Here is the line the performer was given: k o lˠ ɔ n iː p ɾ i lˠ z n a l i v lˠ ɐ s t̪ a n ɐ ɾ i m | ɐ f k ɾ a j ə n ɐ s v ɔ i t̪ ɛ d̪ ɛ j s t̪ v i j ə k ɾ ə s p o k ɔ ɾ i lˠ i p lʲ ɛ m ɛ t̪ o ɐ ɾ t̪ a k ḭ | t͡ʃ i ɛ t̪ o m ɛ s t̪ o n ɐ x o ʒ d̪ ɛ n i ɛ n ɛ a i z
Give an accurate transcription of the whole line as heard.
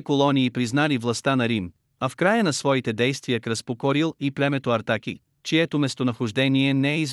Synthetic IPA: k o lˠ ɔ n iː p ɾ i z n a l i v lˠ ɐ s t̪ a n ɐ ɾ i m | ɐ f k ɾ a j ə n ɐ s v ɔ i t̪ ɛ d̪ ɛ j s t̪ v i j ə k ɾ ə s p o k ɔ ɾ i lˠ i p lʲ ɛ m ɛ t̪ o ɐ ɾ t̪ a k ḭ | t͡ʃ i ɛ t̪ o m ɛ s t̪ o n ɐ x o ʒ d̪ ɛ n i ɛ n ɛ ɛ i z